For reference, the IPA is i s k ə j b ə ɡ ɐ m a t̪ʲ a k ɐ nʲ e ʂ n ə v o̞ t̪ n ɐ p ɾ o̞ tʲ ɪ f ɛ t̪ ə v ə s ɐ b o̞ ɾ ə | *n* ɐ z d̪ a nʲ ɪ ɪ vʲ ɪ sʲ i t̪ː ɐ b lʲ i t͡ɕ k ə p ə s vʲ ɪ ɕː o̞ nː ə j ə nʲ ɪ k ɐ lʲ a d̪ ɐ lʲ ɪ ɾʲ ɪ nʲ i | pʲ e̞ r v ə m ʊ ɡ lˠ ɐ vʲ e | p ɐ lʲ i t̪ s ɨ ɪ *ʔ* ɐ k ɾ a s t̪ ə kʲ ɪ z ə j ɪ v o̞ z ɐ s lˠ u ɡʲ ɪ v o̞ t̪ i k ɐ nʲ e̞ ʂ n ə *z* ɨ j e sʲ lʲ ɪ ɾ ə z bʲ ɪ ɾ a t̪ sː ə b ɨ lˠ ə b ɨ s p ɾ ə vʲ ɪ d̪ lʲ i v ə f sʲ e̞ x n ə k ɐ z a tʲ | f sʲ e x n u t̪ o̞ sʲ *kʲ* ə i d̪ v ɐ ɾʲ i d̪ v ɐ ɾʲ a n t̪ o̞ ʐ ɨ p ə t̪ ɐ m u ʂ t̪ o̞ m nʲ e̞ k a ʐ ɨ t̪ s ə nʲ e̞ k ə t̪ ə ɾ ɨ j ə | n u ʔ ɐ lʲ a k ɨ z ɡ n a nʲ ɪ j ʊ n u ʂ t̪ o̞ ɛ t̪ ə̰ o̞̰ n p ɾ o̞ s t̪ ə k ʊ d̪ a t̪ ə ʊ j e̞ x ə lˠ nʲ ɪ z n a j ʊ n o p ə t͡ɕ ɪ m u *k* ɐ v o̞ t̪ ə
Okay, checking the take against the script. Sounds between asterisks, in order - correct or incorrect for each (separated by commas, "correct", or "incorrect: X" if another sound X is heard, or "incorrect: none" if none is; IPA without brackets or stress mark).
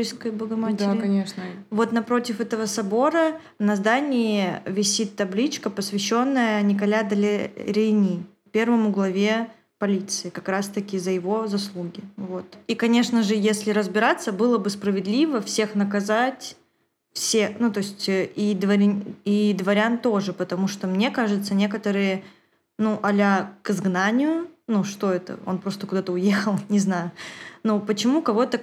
correct, incorrect: k, incorrect: ʐ, incorrect: tʲ, correct